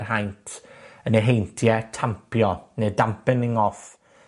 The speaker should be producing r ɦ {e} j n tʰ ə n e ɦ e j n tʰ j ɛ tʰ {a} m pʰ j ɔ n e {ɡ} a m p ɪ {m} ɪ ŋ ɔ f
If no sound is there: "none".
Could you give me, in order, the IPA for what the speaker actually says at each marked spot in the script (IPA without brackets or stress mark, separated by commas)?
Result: a, a, d, n